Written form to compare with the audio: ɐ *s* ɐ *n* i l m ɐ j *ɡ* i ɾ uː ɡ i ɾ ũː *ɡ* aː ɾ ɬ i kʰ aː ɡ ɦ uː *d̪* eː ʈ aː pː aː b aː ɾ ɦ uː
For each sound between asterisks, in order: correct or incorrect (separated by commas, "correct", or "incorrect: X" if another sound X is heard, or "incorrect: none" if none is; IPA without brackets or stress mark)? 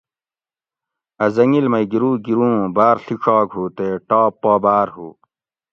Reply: incorrect: z, incorrect: ŋ, correct, incorrect: b, incorrect: t̪